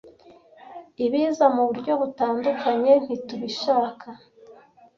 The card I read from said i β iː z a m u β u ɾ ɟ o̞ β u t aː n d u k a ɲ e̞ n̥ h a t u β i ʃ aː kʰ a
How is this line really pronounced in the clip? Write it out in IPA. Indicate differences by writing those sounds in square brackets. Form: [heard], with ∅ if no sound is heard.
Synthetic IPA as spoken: i β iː z a m u β u ɾ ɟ o̞ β u t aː n d u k a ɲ e̞ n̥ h [i] t u β i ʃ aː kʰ a